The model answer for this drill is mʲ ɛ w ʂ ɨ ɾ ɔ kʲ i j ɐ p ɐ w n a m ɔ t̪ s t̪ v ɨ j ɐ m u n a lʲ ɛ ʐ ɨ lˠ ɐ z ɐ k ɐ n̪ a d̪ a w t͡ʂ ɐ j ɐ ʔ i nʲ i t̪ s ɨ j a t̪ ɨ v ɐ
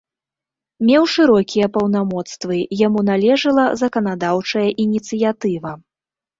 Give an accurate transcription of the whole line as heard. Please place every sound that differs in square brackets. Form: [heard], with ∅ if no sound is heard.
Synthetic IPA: mʲ ɛ w ʂ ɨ ɾ ɔ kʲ i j ɐ p ɐ w n a m ɔ t̪ s t̪ v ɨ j [a] m u n a lʲ ɛ ʐ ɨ lˠ ɐ z ɐ k ɐ n̪ a d̪ a w t͡ʂ ɐ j ɐ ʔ i nʲ i t̪ s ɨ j a t̪ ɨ v ɐ